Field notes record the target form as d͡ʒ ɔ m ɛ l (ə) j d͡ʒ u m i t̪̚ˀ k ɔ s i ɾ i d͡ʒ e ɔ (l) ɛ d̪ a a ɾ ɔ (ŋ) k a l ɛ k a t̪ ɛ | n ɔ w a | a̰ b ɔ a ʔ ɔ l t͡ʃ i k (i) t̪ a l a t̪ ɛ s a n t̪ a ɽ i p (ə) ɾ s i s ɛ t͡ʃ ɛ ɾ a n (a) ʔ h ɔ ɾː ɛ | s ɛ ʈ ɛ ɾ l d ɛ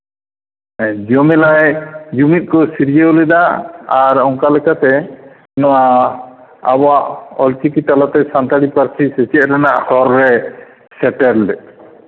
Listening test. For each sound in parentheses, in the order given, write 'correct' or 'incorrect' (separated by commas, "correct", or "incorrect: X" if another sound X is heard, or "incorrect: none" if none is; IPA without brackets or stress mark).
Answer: incorrect: a, correct, correct, correct, incorrect: a, correct